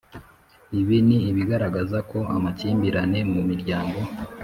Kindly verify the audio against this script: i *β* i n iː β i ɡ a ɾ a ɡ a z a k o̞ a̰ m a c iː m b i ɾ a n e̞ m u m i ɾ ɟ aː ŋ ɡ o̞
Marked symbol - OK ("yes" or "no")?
yes